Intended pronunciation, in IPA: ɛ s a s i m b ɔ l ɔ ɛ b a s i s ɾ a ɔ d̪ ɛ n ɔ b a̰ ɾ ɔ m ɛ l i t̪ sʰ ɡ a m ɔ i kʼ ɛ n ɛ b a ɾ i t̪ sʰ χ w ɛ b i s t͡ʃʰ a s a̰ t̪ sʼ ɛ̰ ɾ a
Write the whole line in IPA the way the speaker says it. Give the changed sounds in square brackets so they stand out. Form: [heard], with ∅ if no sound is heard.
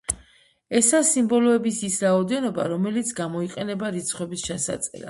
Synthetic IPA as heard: ɛ s a s i m b ɔ l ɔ ɛ b [i] s i s ɾ a ɔ d̪ ɛ n ɔ b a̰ ɾ ɔ m ɛ l i t̪ sʰ ɡ a m ɔ i [qʼ] ɛ n ɛ b a ɾ i t̪ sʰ χ w ɛ b i s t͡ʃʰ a s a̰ t̪ sʼ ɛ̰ ɾ a